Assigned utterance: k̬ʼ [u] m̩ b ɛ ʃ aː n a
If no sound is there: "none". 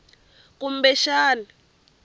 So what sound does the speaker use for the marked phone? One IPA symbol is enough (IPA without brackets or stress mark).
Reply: u